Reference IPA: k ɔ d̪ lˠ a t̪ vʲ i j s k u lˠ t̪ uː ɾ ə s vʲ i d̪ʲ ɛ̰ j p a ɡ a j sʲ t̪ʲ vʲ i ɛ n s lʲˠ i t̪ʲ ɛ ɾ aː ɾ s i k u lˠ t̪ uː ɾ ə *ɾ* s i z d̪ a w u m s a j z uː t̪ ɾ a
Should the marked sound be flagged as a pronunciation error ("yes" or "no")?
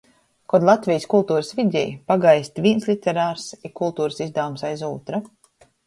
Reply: yes